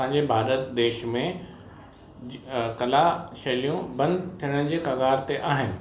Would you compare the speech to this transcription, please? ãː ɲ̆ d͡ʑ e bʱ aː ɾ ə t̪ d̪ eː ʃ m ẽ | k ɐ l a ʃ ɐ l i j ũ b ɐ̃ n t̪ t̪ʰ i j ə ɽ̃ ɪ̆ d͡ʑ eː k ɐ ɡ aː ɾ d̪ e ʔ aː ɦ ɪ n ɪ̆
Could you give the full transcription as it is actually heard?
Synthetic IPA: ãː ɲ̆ d͡ʑ e bʱ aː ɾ ə t̪ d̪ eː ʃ m ẽ | k ɐ l a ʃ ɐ l i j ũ b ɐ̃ n d̪ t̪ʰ i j ə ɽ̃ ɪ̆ d͡ʑ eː k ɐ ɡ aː ɾ t̪ e ʔ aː ɦ ɪ n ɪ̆